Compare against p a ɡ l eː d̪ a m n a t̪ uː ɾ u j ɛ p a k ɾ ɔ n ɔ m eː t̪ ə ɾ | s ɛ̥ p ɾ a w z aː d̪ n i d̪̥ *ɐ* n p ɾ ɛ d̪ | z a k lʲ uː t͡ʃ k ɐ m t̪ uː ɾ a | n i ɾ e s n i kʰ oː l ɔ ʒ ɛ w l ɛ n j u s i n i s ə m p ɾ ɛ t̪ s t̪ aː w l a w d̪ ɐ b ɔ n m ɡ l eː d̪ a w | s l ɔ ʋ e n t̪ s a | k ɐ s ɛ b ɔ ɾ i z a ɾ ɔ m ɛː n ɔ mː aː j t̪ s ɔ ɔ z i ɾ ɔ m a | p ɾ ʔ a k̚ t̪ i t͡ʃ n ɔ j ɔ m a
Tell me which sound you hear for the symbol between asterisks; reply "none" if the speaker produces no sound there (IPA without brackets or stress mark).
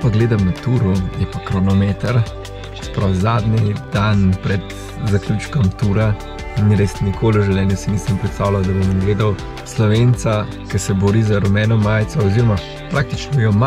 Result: a